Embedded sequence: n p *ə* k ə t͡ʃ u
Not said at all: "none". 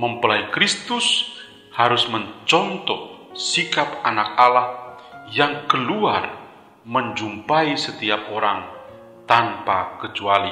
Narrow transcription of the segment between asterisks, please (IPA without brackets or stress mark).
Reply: a